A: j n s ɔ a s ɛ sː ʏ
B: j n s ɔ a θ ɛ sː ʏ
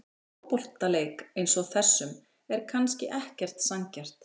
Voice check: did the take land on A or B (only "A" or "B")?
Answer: B